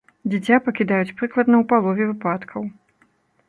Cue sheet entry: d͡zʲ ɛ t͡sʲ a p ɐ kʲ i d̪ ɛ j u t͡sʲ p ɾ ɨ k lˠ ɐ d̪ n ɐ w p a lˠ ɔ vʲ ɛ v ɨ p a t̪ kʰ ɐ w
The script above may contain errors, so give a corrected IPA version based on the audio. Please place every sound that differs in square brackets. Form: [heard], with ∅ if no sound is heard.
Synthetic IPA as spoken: d͡zʲ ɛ t͡sʲ a p ɐ kʲ i d̪ [a] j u t͡sʲ p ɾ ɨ k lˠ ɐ d̪ n ɐ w p a lˠ ɔ vʲ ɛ v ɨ p a t̪ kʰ ɐ w